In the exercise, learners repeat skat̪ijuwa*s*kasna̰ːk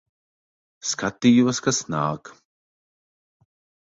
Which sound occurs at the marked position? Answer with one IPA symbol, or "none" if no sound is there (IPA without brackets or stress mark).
s